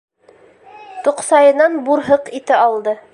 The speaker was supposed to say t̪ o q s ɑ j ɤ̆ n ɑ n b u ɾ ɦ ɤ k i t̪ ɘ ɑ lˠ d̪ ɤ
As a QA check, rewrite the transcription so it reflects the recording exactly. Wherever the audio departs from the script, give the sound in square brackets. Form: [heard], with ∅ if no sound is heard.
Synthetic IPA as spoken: t̪ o q s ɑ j ɤ̆ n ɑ n b u ɾ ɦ ɤ [q] i t̪ ɘ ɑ lˠ d̪ ɤ

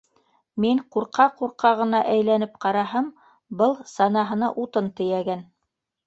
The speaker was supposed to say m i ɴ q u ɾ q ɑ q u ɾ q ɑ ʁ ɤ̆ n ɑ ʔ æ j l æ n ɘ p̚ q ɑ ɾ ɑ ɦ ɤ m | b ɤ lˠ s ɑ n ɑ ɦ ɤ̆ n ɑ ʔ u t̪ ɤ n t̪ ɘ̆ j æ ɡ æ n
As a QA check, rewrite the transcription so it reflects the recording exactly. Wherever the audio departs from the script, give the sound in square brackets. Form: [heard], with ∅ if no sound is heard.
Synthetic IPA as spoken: m i ɴ q u ɾ q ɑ q u ɾ q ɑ ʁ ɤ̆ n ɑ ʔ æ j l æ n ɘ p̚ q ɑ ɾ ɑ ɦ ɤ m | b ɤ lˠ s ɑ n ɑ ɦ ɤ̆ n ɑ ʔ u t̪ ɤ n t̪ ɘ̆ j æ ɡ æ n

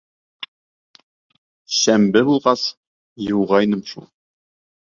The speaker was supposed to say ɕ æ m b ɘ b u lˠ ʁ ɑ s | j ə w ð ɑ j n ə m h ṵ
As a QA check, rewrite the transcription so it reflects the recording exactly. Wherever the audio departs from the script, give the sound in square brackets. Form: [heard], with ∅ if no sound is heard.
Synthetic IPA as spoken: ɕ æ m b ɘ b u lˠ ʁ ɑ s | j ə w [ʁ] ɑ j n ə m [ʃ] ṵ

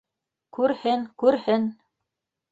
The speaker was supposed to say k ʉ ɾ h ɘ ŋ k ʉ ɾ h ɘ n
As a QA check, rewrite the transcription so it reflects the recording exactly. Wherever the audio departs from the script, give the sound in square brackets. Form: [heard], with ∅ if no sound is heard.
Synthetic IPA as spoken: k ʉ ɾ h ɘ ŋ k ʉ ɾ h ɘ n

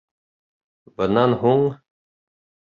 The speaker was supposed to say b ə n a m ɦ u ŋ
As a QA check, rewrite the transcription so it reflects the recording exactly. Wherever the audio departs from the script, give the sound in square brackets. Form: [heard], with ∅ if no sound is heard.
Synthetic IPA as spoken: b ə n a [n] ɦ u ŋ

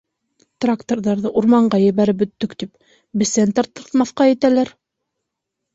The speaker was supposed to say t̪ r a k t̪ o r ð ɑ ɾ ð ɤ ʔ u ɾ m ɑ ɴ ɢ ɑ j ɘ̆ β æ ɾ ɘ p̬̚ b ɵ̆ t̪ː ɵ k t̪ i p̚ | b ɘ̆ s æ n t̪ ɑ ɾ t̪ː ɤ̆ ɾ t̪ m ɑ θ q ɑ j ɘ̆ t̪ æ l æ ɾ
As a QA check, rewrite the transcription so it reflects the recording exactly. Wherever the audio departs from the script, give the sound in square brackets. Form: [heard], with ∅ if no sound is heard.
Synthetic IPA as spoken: t̪ r a k t̪ o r ð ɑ ɾ ð ɤ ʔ u ɾ m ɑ ɴ ɢ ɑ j ɘ̆ β æ ɾ ɘ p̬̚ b ɵ̆ t̪ː ɵ k t̪ i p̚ | b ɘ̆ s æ n t̪ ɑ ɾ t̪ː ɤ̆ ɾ t̪ m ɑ θ q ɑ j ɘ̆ t̪ æ l æ ɾ

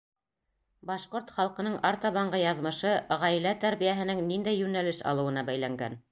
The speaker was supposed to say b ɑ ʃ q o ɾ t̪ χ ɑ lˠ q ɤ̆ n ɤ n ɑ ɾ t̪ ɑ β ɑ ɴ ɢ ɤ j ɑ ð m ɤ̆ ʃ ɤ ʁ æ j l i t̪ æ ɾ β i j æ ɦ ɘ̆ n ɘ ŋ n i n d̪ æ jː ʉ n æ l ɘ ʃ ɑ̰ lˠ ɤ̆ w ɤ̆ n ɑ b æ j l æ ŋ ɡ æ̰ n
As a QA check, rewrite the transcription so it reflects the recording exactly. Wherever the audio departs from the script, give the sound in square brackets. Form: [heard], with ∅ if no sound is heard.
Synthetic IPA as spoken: b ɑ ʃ q o ɾ t̪ χ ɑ lˠ q ɤ̆ n ɤ [ɴ] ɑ ɾ t̪ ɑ β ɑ ɴ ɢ ɤ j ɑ ð m ɤ̆ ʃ ɤ ʁ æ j l [æ] t̪ æ ɾ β i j æ ɦ ɘ̆ n ɘ ŋ n i n d̪ æ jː ʉ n æ l ɘ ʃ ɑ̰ lˠ ɤ̆ w ɤ̆ n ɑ b æ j l æ ŋ ɡ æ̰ n

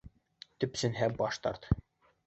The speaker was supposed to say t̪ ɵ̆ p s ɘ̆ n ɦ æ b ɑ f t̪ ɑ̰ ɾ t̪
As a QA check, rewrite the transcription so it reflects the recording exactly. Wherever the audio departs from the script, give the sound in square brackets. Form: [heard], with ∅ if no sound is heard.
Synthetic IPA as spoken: t̪ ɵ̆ p s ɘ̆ n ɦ æ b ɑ [ʃ] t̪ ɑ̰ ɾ t̪

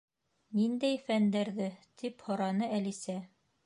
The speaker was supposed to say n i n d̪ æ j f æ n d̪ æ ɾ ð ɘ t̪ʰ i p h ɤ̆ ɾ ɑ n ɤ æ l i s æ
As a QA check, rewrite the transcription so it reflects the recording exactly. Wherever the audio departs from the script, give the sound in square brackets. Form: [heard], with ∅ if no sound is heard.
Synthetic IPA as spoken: n i n d̪ æ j f æ n d̪ æ ɾ ð ɘ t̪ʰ i p h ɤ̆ ɾ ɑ n ɤ æ l i s æ

